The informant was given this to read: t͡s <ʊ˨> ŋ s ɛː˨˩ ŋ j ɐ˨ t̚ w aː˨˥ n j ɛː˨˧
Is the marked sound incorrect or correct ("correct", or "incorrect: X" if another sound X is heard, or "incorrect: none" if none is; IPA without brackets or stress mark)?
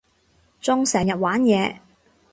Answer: incorrect: ʊ˥